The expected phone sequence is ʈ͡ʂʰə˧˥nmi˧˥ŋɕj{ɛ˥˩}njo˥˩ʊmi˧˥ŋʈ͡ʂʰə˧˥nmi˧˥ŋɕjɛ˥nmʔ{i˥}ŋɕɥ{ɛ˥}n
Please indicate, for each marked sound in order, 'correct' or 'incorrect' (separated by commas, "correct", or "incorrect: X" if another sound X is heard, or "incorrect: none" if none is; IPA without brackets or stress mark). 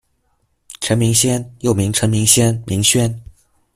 incorrect: ɛ˥, incorrect: i˧˥, correct